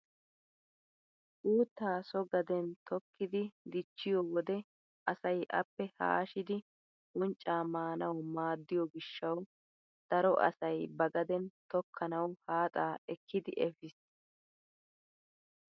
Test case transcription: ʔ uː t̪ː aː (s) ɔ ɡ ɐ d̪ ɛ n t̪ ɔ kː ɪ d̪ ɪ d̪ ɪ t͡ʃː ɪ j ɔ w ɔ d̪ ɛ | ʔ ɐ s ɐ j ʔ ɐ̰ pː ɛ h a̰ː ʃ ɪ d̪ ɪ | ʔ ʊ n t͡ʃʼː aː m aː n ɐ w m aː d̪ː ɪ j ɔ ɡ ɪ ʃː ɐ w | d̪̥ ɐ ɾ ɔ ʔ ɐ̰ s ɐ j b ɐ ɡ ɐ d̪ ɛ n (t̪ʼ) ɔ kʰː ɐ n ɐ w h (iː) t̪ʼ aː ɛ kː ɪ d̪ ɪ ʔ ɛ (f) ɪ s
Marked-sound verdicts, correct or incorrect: correct, incorrect: t̪, incorrect: aː, correct

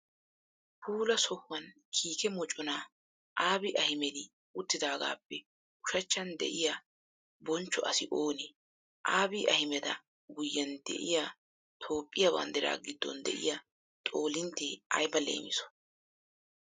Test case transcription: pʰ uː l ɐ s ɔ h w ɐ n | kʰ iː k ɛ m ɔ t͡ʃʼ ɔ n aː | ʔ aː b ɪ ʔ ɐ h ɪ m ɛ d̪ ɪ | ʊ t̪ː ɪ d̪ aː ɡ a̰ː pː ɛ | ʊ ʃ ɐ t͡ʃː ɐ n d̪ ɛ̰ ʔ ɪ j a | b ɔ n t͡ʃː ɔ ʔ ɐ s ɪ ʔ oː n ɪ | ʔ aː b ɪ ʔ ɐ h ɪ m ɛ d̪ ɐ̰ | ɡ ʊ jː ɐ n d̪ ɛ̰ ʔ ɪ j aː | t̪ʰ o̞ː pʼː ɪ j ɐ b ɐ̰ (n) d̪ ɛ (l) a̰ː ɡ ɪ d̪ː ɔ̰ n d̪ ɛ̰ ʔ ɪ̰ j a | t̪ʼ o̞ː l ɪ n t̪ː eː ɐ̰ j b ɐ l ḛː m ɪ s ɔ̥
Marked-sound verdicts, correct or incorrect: correct, incorrect: ɾ

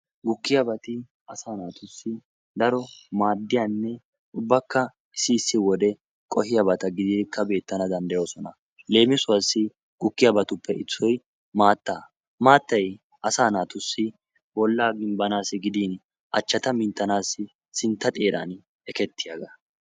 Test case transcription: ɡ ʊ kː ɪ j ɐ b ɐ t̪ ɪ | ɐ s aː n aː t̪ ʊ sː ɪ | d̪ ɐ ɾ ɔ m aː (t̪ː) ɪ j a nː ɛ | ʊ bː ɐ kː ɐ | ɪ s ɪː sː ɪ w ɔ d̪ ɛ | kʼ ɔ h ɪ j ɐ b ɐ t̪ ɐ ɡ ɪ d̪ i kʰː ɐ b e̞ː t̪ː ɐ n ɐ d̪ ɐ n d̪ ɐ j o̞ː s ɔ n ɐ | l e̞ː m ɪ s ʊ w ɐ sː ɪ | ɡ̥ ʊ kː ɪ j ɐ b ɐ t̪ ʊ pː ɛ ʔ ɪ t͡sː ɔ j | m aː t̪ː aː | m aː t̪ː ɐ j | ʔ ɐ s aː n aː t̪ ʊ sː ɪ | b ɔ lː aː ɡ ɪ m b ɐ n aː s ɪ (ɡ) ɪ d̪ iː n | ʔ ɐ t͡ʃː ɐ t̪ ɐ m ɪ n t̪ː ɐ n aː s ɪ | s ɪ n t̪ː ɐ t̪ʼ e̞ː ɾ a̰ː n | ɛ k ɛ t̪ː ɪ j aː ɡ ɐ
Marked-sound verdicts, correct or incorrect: incorrect: d̪ː, correct

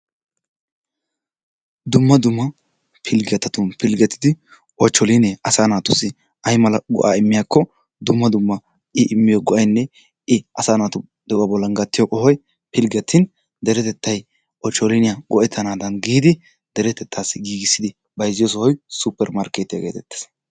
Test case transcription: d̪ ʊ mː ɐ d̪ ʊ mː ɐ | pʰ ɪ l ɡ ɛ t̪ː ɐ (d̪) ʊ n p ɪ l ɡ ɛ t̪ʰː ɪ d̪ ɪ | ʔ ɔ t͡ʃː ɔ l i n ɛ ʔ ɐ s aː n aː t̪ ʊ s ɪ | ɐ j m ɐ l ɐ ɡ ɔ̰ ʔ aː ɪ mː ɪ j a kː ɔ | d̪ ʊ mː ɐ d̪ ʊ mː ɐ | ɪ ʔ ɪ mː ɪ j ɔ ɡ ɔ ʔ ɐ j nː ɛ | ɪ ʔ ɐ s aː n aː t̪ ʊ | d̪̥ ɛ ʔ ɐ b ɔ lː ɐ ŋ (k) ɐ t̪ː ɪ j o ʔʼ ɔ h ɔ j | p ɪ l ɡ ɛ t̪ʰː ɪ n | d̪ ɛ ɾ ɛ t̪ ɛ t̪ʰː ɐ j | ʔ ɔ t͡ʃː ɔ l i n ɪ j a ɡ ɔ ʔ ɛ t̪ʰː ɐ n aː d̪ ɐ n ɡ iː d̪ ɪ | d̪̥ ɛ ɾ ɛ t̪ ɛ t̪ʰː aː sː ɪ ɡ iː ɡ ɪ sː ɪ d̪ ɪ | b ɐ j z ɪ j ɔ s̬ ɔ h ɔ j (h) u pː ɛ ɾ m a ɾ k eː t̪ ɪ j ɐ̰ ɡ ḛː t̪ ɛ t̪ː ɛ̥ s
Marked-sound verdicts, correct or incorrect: incorrect: t̪, incorrect: ɡ, incorrect: s

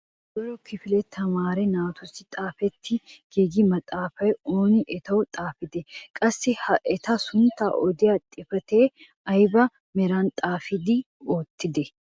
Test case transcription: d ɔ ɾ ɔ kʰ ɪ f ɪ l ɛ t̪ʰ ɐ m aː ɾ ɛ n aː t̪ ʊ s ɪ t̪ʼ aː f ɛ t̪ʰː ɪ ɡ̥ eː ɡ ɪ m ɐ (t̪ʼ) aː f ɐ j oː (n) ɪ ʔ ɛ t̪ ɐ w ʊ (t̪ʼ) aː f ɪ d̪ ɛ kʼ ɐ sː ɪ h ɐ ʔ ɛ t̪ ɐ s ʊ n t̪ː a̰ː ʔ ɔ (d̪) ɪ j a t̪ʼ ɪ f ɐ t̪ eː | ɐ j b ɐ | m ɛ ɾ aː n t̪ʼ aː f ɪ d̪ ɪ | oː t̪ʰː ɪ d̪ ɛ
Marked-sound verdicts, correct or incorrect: correct, correct, correct, correct

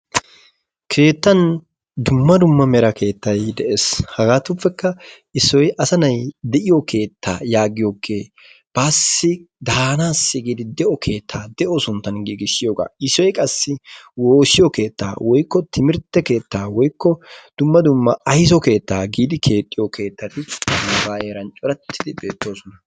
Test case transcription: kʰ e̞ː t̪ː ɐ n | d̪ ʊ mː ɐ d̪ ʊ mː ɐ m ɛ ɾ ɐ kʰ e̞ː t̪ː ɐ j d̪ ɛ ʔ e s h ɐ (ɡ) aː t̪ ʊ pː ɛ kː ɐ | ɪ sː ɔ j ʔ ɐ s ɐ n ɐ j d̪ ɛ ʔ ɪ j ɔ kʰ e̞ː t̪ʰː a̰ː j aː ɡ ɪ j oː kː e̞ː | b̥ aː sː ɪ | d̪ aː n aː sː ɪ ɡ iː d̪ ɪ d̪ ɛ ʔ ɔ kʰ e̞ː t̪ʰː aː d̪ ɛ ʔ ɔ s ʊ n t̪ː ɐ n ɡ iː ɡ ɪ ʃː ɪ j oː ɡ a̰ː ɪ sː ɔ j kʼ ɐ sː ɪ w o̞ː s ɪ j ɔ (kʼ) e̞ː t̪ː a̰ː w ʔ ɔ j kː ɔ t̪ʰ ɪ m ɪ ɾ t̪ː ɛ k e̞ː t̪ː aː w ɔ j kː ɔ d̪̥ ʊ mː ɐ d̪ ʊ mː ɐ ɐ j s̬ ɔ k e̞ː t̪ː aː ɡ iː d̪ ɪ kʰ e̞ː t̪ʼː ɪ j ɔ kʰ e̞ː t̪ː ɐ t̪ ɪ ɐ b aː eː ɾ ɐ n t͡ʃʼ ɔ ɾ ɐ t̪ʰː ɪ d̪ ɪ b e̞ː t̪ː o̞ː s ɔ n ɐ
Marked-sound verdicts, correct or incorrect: correct, incorrect: k

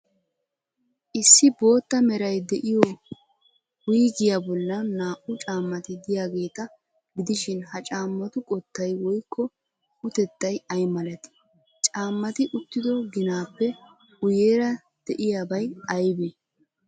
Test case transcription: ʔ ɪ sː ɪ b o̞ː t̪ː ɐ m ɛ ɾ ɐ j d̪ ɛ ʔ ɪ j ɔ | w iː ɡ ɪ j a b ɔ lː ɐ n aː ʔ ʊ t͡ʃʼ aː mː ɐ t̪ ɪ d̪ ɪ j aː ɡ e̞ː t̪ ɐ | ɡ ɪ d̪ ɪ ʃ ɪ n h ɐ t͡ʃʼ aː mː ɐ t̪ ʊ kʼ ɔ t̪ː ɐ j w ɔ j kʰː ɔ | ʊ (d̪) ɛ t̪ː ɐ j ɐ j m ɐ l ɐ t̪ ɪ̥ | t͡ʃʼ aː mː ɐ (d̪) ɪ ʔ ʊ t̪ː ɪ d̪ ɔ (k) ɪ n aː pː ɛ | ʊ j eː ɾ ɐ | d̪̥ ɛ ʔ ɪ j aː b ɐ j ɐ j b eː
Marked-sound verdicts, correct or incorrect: incorrect: t̪, incorrect: t̪, incorrect: ɡ

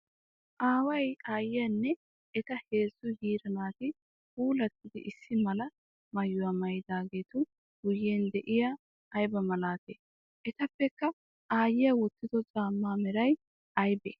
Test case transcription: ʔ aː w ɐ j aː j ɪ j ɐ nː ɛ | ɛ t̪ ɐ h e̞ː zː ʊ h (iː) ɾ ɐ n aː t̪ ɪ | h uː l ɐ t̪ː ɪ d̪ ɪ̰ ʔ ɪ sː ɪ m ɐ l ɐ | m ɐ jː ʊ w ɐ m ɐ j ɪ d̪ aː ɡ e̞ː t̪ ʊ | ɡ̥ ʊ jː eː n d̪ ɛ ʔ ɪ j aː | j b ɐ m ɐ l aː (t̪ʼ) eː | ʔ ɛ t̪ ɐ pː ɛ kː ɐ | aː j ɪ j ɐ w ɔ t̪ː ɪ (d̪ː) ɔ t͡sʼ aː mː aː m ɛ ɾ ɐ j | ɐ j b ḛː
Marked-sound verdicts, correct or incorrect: correct, incorrect: t̪, incorrect: d̪

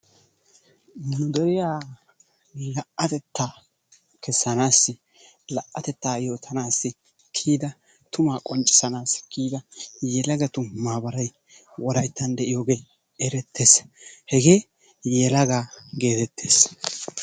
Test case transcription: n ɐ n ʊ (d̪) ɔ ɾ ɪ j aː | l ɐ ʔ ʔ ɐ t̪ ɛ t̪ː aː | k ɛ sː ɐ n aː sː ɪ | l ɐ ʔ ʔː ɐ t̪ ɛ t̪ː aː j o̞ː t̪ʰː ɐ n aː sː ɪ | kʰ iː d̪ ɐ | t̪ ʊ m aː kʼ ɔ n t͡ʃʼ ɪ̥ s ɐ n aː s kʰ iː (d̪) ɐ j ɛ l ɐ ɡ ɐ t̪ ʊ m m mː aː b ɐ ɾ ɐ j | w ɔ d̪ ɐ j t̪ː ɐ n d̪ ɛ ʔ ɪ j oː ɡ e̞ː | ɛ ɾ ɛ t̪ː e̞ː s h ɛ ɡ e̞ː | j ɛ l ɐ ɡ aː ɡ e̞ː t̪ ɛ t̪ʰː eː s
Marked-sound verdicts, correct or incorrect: correct, correct

